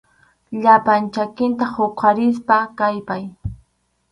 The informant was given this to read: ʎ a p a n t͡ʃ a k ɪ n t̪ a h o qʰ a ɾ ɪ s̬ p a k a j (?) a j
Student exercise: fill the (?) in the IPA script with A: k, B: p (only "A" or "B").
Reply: B